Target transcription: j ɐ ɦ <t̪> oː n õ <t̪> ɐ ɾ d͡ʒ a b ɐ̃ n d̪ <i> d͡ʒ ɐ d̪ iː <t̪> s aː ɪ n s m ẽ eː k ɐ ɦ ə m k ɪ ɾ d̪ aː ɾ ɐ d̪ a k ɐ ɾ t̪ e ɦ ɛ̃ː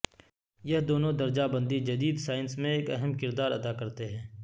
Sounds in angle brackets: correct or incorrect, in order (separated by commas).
incorrect, incorrect, correct, incorrect